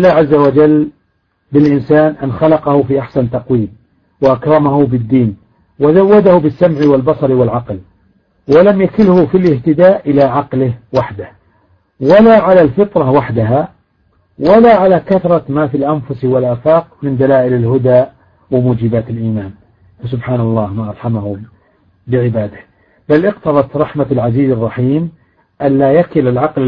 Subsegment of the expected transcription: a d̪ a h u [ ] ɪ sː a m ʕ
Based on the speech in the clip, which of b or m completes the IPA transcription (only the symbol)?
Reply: b